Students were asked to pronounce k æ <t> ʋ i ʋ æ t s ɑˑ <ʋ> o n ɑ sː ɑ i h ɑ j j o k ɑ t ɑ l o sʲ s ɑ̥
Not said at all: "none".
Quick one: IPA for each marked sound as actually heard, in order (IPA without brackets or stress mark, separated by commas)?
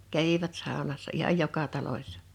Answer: none, none